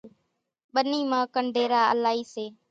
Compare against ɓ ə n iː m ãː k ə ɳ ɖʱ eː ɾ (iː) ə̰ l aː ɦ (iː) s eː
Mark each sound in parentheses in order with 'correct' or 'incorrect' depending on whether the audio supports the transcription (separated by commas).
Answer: incorrect, correct